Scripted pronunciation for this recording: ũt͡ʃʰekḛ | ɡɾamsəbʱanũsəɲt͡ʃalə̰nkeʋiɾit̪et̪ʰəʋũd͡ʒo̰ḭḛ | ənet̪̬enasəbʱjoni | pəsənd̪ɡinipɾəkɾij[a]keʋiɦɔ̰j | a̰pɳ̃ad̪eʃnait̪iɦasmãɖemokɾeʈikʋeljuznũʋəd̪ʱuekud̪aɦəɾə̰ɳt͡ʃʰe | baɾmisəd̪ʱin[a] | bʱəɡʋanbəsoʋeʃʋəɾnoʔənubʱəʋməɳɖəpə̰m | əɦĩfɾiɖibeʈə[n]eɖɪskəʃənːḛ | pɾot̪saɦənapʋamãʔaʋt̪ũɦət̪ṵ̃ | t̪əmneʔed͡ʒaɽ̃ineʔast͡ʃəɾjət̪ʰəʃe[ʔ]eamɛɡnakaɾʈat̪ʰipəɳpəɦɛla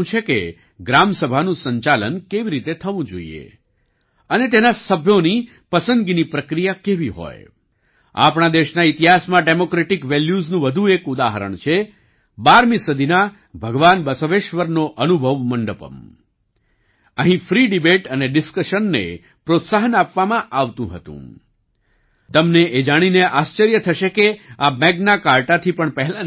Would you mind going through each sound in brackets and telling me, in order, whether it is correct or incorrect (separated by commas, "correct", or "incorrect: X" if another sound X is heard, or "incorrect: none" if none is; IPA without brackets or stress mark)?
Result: correct, correct, correct, incorrect: k